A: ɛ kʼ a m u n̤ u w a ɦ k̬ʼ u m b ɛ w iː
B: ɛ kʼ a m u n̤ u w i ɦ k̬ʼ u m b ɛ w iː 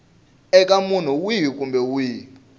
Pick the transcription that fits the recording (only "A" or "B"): B